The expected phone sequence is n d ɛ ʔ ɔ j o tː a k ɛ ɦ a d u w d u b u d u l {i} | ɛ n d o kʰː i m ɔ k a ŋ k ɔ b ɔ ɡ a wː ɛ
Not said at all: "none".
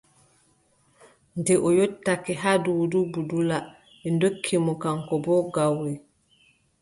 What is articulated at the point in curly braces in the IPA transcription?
a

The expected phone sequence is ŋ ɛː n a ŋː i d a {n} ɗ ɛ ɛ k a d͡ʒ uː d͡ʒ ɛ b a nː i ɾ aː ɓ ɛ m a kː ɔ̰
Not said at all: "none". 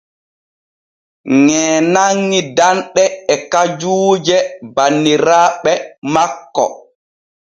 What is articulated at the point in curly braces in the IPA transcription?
n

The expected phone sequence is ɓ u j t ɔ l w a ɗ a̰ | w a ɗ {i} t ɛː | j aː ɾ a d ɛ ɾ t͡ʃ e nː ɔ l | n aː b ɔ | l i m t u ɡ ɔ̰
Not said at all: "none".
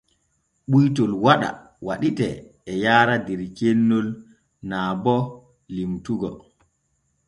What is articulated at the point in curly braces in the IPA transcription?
i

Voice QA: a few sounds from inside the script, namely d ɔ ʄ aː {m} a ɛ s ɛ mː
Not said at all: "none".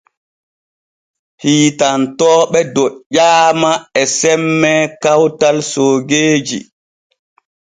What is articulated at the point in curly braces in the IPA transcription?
m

